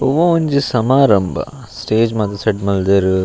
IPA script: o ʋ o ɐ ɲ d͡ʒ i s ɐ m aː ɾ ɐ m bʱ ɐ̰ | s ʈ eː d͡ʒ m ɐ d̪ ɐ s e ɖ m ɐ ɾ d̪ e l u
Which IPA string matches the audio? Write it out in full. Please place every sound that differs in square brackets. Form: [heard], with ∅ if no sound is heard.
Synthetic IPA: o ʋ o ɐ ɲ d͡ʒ i s ɐ m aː ɾ ɐ m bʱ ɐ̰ | s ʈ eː d͡ʒ m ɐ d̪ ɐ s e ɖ m ɐ [l] d̪ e [ɾ] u